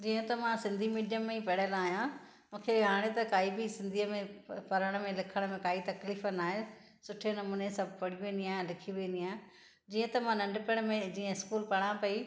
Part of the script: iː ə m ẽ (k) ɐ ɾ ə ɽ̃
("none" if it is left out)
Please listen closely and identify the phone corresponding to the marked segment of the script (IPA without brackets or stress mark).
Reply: p